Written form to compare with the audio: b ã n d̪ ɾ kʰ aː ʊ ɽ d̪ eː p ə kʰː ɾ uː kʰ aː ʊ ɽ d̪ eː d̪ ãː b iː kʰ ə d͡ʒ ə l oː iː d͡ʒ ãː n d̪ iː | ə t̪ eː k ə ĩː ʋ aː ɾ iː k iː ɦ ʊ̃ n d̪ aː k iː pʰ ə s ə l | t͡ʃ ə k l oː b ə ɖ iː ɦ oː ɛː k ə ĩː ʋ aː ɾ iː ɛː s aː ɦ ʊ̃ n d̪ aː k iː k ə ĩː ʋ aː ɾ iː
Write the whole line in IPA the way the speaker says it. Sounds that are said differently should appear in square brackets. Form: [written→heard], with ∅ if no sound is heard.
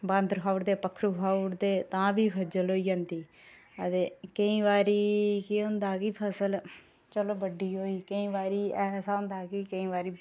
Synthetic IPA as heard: b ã n d̪ ɾ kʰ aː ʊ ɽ d̪ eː p ə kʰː ɾ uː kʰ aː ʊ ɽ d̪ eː [d̪→t̪] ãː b iː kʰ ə d͡ʒ ə l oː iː d͡ʒ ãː n d̪ iː | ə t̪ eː k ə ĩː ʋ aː ɾ iː k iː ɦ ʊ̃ n d̪ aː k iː pʰ ə s ə l | t͡ʃ ə [k→∅] l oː b ə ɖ iː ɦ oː [ɛː→iː] k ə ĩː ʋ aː ɾ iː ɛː s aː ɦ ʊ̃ n d̪ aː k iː k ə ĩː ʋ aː ɾ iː